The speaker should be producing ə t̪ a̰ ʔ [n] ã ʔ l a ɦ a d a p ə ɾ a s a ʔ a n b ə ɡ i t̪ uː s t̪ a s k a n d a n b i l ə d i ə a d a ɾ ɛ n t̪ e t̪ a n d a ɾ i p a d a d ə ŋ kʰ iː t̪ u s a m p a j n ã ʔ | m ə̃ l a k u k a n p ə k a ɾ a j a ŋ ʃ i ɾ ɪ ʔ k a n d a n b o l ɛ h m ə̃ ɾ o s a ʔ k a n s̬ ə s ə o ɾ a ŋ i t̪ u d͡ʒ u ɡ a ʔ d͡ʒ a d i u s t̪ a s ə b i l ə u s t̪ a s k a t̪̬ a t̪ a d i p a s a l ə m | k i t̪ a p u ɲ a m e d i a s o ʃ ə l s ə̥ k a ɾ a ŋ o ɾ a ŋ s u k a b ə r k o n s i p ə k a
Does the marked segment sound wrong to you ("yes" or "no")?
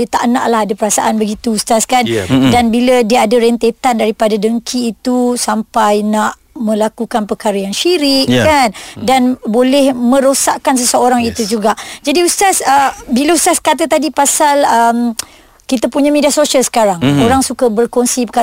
no